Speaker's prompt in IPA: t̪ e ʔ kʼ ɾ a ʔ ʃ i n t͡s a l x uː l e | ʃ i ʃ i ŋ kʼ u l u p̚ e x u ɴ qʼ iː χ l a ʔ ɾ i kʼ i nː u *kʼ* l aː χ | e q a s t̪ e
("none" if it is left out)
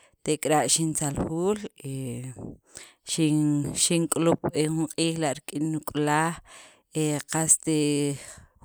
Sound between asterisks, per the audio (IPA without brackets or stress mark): kʼ